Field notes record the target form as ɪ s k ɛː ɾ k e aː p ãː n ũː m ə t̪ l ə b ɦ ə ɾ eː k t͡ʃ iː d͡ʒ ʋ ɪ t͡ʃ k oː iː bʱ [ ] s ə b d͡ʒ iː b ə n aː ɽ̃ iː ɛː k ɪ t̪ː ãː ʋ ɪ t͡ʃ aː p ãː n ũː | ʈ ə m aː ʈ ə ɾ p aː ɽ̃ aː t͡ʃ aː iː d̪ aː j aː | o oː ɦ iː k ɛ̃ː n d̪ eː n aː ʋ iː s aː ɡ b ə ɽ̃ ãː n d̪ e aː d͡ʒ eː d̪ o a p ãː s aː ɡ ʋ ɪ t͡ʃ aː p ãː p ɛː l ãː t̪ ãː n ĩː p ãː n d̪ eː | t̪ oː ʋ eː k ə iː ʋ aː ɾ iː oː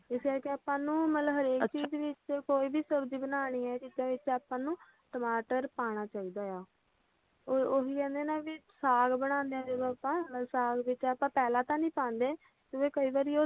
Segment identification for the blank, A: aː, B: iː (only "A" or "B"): B